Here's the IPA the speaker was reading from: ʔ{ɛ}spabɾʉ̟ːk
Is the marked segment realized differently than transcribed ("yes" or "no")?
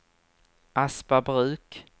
yes